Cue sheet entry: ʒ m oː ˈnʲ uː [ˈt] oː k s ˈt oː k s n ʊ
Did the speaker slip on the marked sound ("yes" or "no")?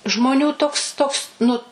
no